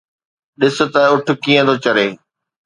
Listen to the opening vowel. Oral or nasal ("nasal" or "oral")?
oral